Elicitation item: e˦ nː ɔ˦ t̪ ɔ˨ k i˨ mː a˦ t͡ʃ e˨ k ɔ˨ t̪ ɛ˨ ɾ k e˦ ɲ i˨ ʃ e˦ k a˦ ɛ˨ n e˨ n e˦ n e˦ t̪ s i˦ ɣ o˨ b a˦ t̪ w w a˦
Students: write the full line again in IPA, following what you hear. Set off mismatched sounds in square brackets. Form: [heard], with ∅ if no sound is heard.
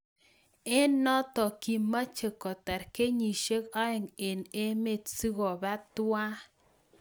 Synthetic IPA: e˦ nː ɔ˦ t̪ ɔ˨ k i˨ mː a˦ t͡ʃ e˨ k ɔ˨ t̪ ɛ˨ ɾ k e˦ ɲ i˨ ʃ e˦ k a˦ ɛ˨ [ŋ] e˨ n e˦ [m] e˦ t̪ s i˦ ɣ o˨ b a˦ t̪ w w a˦